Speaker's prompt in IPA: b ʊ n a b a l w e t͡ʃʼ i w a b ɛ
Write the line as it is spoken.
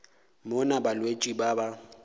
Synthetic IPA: m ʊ n a b a l w e t͡ʃʼ i b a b a